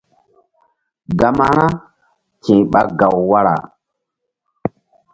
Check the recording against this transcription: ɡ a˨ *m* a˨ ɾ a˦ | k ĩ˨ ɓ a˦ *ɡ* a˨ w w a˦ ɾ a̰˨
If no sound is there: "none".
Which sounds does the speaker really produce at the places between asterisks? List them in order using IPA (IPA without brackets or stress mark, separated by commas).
m, ɡ